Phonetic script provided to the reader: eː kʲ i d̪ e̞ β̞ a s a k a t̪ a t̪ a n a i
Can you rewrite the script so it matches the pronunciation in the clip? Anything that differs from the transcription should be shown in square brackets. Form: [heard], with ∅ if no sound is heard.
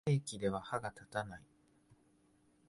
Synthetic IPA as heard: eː kʲ i d̪ e̞ β̞ a [h] a [ɡ] a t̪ a t̪ a n a i